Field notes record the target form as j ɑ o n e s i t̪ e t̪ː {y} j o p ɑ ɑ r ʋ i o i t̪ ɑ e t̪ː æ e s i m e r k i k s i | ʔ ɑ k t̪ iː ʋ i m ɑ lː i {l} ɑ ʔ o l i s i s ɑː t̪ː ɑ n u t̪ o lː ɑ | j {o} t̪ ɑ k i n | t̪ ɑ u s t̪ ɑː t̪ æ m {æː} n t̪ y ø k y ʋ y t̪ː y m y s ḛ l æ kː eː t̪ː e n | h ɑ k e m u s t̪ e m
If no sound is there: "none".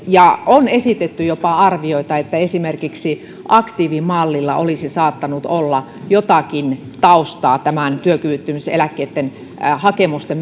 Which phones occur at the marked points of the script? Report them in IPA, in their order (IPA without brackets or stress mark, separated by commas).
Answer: y, lː, o, æ